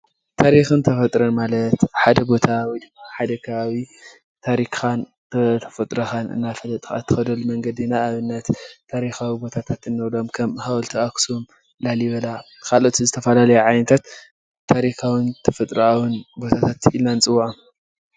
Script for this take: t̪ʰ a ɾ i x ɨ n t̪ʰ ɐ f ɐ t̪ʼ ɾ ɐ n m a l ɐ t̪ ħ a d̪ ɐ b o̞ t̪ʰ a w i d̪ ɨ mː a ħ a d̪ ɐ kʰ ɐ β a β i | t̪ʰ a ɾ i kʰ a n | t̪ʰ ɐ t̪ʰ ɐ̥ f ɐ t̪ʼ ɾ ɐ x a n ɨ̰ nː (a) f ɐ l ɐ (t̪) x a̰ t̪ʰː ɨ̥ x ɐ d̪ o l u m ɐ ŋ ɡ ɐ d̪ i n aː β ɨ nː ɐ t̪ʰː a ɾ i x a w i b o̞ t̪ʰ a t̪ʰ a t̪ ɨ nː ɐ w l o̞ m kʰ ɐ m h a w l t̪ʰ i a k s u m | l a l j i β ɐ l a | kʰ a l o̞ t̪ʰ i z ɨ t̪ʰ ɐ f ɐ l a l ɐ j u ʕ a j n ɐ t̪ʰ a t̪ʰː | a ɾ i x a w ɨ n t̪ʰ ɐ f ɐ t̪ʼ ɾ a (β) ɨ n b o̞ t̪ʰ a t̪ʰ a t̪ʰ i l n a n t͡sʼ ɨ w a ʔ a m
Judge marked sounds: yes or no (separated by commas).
yes, no, no